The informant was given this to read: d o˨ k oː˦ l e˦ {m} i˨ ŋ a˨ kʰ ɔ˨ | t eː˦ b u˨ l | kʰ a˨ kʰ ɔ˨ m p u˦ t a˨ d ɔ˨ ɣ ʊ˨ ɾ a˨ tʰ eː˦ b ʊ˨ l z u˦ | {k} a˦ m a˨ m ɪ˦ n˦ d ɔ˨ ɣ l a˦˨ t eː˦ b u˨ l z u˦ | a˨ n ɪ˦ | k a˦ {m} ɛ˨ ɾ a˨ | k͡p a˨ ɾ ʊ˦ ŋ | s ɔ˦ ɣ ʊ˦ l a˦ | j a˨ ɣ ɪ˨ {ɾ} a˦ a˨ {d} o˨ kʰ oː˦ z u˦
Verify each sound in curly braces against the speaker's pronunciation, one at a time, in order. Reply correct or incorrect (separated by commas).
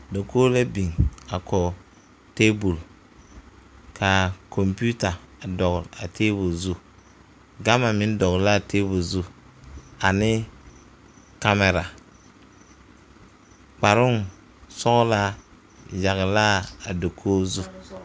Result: incorrect, incorrect, correct, incorrect, correct